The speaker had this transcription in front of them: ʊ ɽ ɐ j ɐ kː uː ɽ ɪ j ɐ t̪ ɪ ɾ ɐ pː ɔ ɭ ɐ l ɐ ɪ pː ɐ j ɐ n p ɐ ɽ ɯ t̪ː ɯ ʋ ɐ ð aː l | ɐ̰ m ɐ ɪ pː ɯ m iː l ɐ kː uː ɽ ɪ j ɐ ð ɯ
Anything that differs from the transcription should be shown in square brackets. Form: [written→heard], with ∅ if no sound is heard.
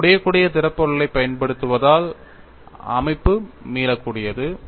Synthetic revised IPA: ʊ ɽ ɐ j ɐ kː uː ɽ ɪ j ɐ t̪ ɪ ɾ ɐ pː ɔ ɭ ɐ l ɐ ɪ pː ɐ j ɐ n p ɐ ɽ ɯ t̪ː ɯ ʋ ɐ ð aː l | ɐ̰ m ɐ ɪ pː ɯ m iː l ɐ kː uː ɽ ɪ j ɐ ð ɯ